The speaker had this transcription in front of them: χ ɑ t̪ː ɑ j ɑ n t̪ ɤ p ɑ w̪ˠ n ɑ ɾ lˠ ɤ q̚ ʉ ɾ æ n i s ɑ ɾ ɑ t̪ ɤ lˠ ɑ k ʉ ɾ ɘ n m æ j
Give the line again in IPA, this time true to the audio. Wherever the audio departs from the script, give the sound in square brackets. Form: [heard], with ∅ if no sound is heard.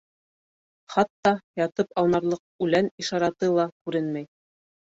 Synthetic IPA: χ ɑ t̪ː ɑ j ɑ [∅] t̪ ɤ p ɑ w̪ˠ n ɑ ɾ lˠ ɤ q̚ ʉ [l] æ n i [ʃ] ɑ ɾ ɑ t̪ ɤ lˠ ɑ k ʉ ɾ ɘ n m æ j